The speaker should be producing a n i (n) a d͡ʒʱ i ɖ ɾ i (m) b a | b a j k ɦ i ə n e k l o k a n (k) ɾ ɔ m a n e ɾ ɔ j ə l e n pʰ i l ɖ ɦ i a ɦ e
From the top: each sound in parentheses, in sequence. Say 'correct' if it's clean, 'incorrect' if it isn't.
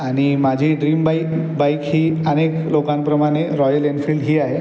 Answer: incorrect: m, correct, incorrect: p

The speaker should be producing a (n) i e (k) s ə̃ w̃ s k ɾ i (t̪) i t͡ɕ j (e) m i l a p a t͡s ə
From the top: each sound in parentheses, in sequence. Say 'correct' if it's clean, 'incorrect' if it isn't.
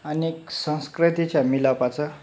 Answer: correct, correct, correct, incorrect: a

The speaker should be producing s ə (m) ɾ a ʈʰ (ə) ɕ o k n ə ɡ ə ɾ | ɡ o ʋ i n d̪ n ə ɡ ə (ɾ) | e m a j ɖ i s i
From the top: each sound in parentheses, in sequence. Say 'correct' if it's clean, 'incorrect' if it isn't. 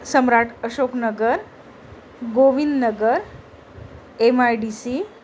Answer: correct, correct, correct

